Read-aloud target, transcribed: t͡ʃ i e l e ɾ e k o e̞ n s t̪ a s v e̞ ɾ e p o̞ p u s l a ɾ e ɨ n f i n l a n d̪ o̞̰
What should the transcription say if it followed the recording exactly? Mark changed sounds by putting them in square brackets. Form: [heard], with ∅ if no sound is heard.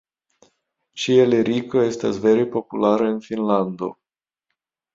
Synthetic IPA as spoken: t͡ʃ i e l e ɾ [i] k o e̞ [∅] s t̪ a s v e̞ ɾ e p o̞ p u [∅] l a ɾ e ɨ n f i n l a n d̪ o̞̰